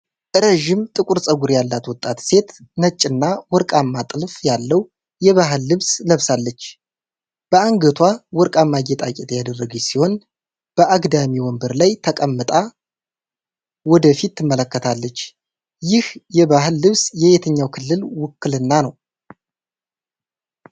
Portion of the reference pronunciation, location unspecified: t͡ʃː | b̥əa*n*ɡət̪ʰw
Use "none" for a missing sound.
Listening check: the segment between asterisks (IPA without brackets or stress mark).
ŋ